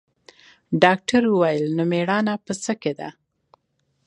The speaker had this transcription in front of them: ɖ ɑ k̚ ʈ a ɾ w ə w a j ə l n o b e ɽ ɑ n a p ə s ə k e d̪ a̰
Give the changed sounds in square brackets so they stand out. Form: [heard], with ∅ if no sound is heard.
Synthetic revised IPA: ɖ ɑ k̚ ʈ a ɾ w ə w a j ə l n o [m] e ɽ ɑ n a p ə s ə k e d̪ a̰